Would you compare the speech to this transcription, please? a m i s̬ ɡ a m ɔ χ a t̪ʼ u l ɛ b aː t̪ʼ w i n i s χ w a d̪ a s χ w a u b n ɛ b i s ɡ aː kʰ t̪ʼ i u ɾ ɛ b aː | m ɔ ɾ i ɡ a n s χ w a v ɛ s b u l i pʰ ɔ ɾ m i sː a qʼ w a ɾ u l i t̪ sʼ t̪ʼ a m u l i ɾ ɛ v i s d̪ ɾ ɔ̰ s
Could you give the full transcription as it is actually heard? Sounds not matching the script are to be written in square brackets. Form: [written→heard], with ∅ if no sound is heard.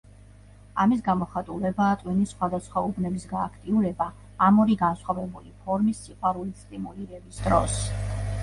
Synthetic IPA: a m i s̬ ɡ a m ɔ χ a t̪ʼ u l ɛ b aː t̪ʼ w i n i s χ w a d̪ a s χ w a u b n ɛ b i s ɡ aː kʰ t̪ʼ i u ɾ ɛ b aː | m ɔ ɾ i ɡ a n s χ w a v ɛ [s→∅] b u l i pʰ ɔ ɾ m i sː [a→i] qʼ w a ɾ u l i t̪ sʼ t̪ʼ [a→i] m u l i ɾ ɛ [v→b] i s d̪ ɾ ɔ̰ s